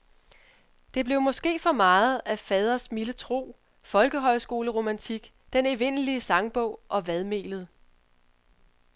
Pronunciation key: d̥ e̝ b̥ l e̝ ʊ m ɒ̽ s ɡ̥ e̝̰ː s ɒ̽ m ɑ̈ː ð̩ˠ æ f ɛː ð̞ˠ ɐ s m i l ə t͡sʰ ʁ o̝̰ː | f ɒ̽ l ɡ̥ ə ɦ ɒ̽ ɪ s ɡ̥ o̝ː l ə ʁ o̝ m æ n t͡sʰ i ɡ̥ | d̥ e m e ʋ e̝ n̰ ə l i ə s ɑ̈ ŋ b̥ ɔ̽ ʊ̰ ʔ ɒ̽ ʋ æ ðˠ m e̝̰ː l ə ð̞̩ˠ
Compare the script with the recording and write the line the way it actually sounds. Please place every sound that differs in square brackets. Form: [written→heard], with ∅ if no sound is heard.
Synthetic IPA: d̥ e̝ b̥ l e̝ ʊ m ɒ̽ s ɡ̥ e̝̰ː [s→f] ɒ̽ m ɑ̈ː ð̩ˠ æ f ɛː ð̞ˠ ɐ s m i l ə t͡sʰ ʁ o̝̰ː | f ɒ̽ l ɡ̥ ə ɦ ɒ̽ ɪ s ɡ̥ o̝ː l ə ʁ o̝ m æ n t͡sʰ i ɡ̥ | d̥ e [m→n] e ʋ e̝ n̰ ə l i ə s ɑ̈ ŋ b̥ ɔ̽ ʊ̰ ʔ ɒ̽ ʋ æ ðˠ m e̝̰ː l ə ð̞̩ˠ

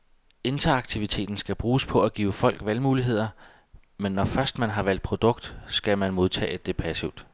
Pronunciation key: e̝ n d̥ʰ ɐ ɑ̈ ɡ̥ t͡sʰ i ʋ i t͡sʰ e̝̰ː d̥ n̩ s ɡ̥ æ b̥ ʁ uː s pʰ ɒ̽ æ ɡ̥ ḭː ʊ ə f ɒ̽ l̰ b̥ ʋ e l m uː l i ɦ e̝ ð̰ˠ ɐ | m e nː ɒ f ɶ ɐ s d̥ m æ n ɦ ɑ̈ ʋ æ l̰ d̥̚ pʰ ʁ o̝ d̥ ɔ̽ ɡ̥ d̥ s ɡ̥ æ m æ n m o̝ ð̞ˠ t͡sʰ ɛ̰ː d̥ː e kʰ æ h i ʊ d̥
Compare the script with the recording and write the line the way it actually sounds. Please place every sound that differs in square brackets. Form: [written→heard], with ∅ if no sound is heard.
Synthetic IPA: e̝ n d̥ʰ ɐ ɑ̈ ɡ̥ t͡sʰ i ʋ i t͡sʰ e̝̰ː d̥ n̩ s ɡ̥ æ b̥ ʁ uː s pʰ ɒ̽ æ ɡ̥ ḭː ʊ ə f ɒ̽ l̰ [b̥→ɡ̥] ʋ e l m uː l i ɦ e̝ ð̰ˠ ɐ | m e nː ɒ f ɶ ɐ s d̥ m æ n ɦ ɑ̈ ʋ æ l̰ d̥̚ pʰ ʁ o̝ d̥ ɔ̽ ɡ̥ d̥ s ɡ̥ æ m æ n m o̝ ð̞ˠ t͡sʰ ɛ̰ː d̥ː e [kʰ→pʰ] æ [h→s] i ʊ d̥

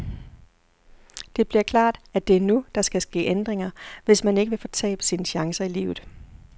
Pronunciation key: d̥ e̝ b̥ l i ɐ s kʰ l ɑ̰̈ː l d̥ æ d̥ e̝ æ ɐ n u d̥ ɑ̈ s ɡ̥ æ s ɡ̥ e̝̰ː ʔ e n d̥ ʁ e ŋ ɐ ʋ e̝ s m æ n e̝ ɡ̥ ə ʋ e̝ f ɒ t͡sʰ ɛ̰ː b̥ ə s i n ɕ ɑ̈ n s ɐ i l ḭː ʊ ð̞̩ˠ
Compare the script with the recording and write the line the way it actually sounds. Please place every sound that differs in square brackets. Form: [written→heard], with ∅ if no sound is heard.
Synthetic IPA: d̥ e̝ b̥ l i ɐ [s→∅] kʰ l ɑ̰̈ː [l→∅] d̥ æ d̥ e̝ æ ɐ n u d̥ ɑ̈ s ɡ̥ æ s ɡ̥ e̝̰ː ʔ e n d̥ ʁ e ŋ ɐ ʋ e̝ s m æ n e̝ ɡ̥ ə ʋ e̝ f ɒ t͡sʰ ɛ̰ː b̥ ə s i n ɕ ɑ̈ [n→ŋ] s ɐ i l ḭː ʊ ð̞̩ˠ

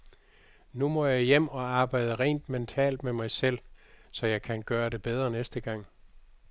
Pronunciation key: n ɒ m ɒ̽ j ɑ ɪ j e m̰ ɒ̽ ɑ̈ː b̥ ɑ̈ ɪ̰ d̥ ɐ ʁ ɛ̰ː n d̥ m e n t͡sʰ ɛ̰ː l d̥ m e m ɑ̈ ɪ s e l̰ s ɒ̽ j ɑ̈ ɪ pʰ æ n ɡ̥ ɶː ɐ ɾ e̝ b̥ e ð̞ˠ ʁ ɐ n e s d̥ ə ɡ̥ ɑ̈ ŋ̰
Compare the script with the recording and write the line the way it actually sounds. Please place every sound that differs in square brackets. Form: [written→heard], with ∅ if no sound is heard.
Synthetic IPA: n [ɒ→u] m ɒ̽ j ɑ ɪ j e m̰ ɒ̽ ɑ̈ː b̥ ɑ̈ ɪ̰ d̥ [ɐ→ə] ʁ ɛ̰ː n d̥ m e n t͡sʰ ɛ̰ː l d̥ m e m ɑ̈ ɪ s e l̰ s ɒ̽ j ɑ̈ ɪ [pʰ→kʰ] æ n ɡ̥ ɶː ɐ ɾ e̝ b̥ e ð̞ˠ ʁ ɐ n e s d̥ ə ɡ̥ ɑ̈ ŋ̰

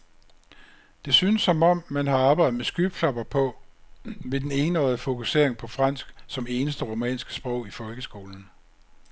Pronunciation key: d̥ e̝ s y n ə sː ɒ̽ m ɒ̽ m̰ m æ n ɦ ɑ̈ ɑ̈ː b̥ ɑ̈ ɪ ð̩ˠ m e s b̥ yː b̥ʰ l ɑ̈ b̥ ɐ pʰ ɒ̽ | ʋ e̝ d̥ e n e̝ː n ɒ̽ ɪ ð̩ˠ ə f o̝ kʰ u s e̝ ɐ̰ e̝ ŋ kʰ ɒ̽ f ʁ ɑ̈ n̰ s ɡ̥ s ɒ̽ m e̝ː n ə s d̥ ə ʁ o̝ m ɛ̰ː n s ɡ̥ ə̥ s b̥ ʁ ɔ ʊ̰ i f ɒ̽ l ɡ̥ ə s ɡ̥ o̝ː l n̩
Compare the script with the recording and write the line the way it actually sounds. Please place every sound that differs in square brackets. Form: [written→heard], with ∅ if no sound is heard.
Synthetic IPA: d̥ e̝ s y n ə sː ɒ̽ m ɒ̽ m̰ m æ n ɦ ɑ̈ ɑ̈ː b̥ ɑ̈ ɪ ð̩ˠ m e s [b̥→ɡ̥] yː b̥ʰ l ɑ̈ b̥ ɐ pʰ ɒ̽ | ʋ e̝ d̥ e n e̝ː n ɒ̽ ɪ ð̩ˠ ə f o̝ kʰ u s e̝ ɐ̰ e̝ ŋ [kʰ→pʰ] ɒ̽ f ʁ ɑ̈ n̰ s ɡ̥ s ɒ̽ m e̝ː n ə s d̥ ə ʁ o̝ m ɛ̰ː n s ɡ̥ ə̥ s b̥ ʁ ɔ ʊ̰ i f ɒ̽ l ɡ̥ ə s ɡ̥ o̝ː l n̩

